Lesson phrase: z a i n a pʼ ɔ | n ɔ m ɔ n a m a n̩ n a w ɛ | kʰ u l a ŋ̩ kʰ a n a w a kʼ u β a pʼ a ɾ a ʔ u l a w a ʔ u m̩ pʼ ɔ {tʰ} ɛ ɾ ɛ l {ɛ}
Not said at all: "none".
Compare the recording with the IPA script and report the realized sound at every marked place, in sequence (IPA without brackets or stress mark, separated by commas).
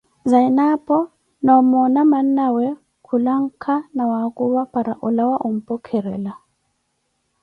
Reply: kʰ, a